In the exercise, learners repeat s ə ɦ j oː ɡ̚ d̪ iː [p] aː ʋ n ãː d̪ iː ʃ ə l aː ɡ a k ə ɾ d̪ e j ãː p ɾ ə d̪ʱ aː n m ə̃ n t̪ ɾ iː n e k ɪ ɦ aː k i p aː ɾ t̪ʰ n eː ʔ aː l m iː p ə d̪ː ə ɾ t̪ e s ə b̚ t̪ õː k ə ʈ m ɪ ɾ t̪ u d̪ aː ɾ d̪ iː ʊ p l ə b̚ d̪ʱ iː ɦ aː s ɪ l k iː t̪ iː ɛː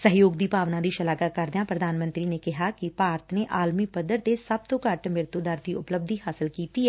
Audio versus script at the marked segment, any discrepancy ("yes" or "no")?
no